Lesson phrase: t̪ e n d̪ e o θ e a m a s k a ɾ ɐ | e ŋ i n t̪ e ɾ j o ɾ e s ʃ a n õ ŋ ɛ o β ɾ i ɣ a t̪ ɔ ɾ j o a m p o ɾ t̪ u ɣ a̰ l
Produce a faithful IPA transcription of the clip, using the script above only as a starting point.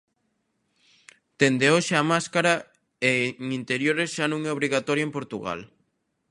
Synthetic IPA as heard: t̪ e n d̪ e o ʃ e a m a s k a ɾ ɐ | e ŋ i n t̪ e ɾ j o ɾ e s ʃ a n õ ŋ ɛ o β ɾ i ɣ a t̪ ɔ ɾ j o e m p o ɾ t̪ u ɣ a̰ l